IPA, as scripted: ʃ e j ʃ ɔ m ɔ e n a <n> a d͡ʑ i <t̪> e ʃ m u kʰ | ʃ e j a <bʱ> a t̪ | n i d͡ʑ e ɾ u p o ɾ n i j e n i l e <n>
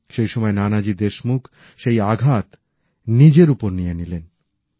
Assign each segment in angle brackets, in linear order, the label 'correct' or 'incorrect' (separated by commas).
correct, incorrect, incorrect, correct